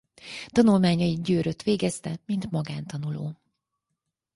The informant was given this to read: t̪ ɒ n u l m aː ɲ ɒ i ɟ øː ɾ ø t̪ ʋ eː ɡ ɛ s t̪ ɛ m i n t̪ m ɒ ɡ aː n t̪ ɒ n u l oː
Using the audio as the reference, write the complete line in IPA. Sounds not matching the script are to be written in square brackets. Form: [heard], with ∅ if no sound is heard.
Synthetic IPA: t̪ ɒ n u l m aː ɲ ɒ i ɟ øː ɾ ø t̪ ʋ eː ɡ ɛ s t̪ ɛ m i n t̪ m ɒ ɡ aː n t̪ ɒ n u l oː